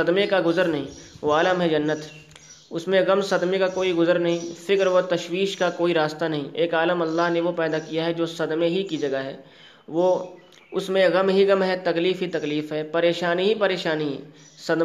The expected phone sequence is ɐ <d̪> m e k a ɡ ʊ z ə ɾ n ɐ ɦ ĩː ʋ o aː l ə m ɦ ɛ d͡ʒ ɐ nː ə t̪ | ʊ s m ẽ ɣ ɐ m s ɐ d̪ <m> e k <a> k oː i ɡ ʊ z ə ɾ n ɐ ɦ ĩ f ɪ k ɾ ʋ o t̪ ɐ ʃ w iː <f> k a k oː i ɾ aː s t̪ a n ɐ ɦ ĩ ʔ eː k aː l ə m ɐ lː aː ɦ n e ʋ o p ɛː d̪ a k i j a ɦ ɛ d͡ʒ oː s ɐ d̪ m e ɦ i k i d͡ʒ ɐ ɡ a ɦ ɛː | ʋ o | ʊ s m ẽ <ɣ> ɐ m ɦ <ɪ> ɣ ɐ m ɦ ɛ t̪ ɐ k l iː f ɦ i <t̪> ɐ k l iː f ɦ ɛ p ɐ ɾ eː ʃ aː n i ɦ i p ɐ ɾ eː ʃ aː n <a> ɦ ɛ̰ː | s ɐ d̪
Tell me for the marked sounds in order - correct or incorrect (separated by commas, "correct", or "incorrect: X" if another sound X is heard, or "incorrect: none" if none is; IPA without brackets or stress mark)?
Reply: correct, correct, correct, incorrect: ʃ, correct, incorrect: i, correct, incorrect: i